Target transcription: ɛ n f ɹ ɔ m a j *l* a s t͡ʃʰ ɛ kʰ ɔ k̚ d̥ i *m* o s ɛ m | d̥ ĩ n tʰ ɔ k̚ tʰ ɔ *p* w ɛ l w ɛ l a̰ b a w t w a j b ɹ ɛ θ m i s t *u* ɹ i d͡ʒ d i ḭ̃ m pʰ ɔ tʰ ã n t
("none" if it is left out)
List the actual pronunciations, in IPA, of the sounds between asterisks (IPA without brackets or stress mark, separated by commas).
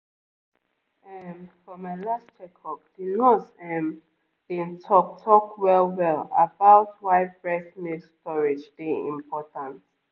l, n, k, ɔ